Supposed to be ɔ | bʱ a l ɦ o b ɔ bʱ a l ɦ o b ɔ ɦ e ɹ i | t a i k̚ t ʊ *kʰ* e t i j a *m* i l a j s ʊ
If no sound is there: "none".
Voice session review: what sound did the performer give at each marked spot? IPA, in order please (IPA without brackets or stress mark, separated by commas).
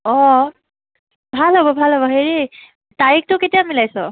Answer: k, m